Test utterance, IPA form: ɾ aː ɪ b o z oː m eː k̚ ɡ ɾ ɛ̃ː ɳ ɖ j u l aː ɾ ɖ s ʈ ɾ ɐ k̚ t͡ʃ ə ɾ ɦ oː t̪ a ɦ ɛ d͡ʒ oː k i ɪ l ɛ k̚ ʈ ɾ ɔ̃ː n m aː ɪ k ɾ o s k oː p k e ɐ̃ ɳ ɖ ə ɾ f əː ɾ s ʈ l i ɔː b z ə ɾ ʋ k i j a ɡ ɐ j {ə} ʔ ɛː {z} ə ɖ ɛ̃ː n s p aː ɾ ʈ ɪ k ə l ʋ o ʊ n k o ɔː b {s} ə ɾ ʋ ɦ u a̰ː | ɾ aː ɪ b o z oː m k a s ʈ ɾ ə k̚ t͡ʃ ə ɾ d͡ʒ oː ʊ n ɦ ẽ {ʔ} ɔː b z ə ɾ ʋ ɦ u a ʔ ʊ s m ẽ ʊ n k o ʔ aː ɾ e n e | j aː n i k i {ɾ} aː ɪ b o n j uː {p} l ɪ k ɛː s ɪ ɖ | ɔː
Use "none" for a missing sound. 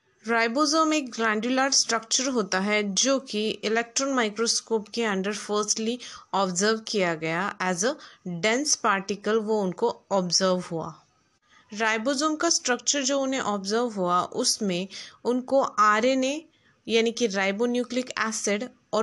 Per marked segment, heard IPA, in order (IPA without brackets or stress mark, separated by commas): a, z, z, ʔ, ɾ, k